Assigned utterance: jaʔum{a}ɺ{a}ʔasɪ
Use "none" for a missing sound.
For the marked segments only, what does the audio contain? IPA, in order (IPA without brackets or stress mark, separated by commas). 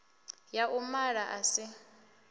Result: a, a